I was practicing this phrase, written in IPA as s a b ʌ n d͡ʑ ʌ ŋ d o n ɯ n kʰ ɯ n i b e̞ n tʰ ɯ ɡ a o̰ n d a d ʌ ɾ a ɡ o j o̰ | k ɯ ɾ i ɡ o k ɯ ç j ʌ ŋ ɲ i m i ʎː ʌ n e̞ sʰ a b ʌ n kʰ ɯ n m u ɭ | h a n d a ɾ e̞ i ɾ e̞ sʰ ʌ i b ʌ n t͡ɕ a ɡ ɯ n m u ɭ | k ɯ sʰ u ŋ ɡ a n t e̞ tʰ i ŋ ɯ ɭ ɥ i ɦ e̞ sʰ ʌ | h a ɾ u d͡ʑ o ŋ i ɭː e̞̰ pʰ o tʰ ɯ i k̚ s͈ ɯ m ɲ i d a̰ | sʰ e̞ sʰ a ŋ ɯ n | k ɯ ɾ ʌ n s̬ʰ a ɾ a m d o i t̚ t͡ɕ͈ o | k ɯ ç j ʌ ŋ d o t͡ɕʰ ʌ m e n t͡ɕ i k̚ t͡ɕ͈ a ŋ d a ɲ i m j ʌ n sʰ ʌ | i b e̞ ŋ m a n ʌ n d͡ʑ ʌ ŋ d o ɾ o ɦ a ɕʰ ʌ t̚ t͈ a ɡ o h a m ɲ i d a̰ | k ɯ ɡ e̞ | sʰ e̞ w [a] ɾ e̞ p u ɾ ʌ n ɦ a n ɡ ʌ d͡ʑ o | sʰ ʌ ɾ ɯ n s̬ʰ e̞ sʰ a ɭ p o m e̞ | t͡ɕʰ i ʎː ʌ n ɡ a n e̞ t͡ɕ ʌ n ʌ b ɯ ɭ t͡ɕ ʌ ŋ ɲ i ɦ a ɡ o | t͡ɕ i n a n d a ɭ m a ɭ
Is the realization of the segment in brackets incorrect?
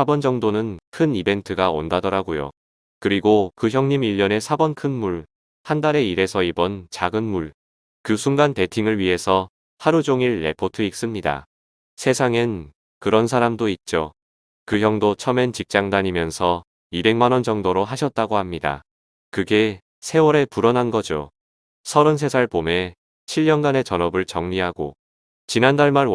yes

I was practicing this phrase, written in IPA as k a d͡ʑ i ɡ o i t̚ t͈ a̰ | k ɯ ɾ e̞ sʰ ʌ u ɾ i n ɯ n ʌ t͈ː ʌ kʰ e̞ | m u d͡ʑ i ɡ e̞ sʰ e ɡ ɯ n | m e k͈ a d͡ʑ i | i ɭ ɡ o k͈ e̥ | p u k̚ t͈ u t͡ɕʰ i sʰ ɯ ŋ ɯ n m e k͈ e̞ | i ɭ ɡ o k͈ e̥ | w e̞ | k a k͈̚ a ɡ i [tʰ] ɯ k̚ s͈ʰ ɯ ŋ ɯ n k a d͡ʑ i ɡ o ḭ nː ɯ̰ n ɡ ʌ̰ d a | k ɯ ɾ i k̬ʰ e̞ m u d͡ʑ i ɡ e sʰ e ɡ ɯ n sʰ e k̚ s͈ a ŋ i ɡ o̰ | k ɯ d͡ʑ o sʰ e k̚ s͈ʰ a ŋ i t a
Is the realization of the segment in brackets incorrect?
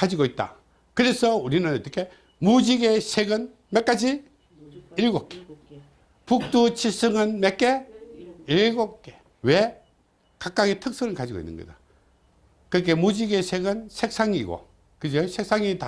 no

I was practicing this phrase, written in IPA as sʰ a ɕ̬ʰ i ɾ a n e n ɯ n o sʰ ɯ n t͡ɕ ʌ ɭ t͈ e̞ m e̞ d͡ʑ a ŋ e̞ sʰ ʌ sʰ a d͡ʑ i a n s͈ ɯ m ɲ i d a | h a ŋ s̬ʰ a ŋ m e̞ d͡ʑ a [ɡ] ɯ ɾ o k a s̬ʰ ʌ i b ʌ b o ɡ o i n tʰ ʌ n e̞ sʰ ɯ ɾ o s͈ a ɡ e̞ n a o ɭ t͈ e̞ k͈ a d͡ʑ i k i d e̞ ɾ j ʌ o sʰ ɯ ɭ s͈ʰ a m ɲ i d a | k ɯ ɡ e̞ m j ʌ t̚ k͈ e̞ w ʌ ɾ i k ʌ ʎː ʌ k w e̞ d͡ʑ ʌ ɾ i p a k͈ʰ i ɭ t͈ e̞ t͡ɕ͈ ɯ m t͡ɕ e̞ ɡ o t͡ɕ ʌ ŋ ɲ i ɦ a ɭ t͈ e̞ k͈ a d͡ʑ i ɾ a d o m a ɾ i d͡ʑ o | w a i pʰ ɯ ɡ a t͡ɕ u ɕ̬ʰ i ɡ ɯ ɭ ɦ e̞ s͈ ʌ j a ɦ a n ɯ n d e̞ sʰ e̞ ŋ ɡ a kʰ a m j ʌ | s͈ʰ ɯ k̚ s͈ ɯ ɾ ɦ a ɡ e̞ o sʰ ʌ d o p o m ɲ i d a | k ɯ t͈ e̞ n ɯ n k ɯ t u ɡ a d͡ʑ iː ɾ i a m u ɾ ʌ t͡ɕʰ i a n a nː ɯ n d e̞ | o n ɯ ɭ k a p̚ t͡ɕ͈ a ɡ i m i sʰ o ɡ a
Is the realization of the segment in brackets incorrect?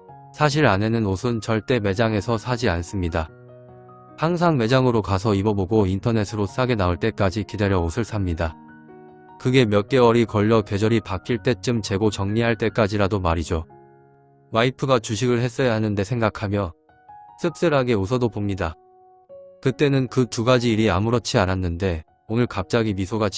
yes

